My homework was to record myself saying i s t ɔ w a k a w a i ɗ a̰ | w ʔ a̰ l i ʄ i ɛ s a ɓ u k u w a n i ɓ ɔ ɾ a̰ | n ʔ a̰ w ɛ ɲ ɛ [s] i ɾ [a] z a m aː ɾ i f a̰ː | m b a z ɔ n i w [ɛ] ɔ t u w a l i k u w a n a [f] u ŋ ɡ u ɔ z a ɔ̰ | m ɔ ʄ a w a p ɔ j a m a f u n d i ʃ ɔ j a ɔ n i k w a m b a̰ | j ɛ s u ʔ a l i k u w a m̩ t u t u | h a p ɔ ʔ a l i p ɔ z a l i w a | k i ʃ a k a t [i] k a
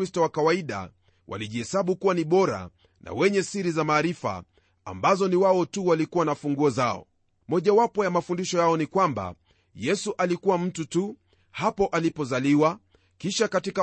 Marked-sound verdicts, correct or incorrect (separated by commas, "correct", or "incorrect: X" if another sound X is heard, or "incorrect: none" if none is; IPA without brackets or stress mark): correct, incorrect: i, incorrect: a, correct, correct